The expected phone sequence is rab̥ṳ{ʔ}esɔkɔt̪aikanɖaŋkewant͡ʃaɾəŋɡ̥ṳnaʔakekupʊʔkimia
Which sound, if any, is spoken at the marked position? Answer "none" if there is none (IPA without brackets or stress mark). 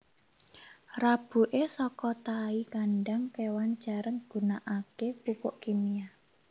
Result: ʔ